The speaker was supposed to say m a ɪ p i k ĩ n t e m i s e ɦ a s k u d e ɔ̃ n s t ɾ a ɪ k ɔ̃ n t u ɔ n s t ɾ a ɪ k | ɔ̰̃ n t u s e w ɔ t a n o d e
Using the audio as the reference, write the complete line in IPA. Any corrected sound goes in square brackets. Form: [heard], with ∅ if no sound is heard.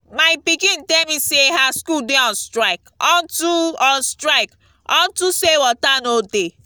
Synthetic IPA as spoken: m a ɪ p i k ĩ n t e m i s e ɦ a s k u d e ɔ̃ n s t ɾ a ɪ k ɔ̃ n t u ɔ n s t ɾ a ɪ k | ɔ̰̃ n t u s e w ɔ t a n o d e